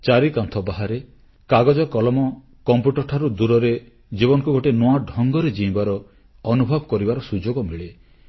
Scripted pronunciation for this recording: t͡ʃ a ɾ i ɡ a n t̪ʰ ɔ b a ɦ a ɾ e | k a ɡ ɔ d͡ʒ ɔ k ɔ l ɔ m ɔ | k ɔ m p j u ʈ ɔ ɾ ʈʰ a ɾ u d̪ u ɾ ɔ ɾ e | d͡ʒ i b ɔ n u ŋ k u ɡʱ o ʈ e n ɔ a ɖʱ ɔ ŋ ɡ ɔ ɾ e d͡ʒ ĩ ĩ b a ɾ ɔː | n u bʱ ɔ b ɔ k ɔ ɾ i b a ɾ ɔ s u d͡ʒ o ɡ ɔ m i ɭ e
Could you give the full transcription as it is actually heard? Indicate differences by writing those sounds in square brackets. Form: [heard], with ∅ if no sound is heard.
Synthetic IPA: t͡ʃ a ɾ i [k] a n t̪ʰ ɔ b a ɦ a ɾ e | k a ɡ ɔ d͡ʒ ɔ k ɔ l ɔ m ɔ | k ɔ m p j u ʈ ɔ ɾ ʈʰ a ɾ u d̪ u ɾ ɔ ɾ e | d͡ʒ i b ɔ n [ɔ] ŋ k u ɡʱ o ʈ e n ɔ a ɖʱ ɔ ŋ ɡ ɔ ɾ e d͡ʒ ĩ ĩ b a ɾ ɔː | n u bʱ ɔ b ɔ k ɔ ɾ i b a ɾ ɔ s u d͡ʒ o ɡ ɔ m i ɭ e